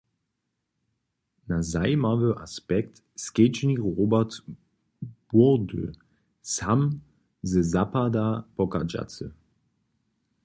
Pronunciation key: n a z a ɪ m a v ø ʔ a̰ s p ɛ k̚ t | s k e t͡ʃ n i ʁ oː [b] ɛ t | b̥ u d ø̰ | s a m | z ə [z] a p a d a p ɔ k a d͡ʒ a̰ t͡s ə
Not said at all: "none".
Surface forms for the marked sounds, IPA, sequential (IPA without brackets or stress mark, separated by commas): b, z